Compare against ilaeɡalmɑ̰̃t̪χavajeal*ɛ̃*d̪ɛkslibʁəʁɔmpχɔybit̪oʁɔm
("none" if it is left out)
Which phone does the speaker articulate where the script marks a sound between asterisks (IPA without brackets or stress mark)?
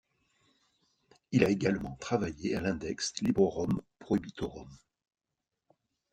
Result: ɛ̃